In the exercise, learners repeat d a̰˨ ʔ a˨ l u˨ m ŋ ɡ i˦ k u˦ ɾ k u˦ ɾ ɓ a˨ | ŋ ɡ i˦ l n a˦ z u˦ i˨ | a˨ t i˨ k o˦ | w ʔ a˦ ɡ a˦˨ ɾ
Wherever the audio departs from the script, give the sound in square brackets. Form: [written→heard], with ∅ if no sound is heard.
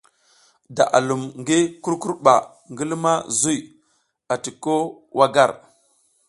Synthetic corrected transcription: d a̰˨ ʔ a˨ l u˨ m ŋ ɡ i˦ k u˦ ɾ k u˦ ɾ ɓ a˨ | ŋ ɡ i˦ l [n→m] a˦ z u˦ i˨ | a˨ t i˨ k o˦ | w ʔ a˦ ɡ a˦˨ ɾ